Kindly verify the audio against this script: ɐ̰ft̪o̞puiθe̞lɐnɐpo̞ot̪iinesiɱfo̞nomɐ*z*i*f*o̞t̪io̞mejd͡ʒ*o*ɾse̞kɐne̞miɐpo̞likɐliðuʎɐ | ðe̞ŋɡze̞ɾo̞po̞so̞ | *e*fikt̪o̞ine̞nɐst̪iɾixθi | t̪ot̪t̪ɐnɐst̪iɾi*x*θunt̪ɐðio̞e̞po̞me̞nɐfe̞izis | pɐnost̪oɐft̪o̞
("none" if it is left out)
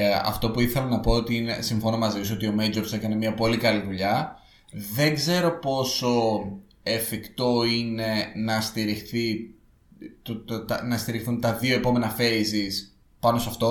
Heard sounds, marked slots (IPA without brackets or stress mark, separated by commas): z, s, o, e, x